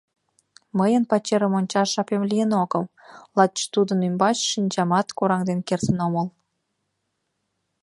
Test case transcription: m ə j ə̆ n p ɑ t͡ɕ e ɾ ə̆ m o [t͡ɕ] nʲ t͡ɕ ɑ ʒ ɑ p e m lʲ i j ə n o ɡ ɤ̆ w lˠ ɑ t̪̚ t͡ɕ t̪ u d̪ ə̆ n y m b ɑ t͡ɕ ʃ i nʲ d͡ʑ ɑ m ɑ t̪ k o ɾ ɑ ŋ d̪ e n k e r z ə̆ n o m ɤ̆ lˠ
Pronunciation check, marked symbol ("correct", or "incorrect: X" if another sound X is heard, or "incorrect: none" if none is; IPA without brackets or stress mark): incorrect: none